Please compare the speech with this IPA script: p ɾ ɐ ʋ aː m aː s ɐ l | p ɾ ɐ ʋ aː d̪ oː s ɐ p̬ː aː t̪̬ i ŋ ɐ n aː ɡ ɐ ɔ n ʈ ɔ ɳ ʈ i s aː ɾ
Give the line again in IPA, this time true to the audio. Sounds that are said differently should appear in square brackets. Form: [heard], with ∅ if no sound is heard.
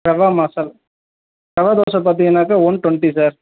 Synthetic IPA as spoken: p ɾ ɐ ʋ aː m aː s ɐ l | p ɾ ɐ ʋ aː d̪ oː s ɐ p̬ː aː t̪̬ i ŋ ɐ n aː [k] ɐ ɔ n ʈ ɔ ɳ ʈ i s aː ɾ